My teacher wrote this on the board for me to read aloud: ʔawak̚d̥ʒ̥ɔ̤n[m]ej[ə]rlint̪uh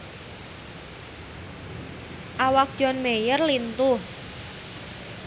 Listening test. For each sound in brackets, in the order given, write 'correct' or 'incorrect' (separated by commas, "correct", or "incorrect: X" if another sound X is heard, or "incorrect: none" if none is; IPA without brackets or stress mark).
correct, correct